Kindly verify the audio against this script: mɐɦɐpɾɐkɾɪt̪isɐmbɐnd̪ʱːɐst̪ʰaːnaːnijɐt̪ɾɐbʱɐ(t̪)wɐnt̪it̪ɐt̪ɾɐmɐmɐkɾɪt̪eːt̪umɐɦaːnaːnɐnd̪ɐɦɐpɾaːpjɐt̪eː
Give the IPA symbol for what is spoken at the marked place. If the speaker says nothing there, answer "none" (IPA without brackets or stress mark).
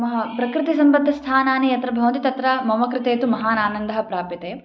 none